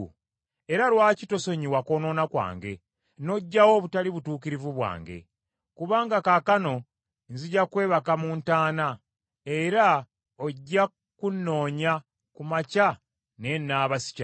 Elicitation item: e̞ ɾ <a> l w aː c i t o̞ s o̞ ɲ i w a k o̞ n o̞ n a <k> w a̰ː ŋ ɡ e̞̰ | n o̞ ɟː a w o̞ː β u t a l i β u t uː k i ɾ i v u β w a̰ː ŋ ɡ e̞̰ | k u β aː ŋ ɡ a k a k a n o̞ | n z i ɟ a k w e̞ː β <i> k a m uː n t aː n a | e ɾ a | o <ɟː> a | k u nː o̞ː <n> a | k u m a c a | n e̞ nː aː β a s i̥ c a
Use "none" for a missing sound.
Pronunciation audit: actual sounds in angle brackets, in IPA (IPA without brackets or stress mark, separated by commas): a, k, a, ɟː, ɲ